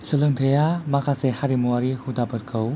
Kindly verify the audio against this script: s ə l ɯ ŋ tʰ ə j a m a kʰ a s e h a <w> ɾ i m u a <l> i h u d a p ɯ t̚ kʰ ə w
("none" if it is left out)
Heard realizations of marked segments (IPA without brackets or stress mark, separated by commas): none, ɾ